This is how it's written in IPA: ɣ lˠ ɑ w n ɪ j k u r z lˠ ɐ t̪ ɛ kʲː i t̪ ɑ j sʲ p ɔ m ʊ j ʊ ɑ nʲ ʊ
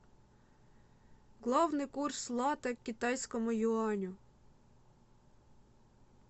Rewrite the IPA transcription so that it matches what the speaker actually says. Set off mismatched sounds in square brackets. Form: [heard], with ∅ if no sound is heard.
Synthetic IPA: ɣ lˠ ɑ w n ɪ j k u r [s] lˠ [ɑ] t̪ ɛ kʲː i t̪ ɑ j sʲ [k] ɔ m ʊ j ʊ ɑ nʲ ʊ